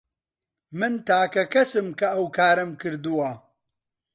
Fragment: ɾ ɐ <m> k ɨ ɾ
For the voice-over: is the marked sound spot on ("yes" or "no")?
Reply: yes